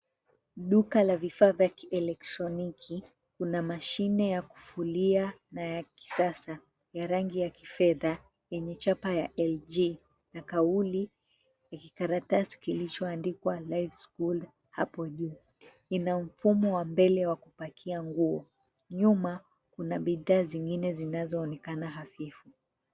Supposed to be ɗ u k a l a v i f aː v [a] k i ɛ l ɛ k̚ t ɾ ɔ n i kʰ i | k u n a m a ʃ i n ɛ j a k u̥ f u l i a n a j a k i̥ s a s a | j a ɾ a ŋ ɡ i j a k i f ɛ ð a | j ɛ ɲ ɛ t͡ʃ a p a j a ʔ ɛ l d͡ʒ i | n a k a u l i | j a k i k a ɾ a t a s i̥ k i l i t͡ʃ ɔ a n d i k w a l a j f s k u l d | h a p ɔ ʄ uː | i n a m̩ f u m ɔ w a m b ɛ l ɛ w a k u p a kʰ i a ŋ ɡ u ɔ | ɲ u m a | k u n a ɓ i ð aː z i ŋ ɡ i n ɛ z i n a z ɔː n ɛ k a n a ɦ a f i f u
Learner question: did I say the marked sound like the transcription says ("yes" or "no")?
yes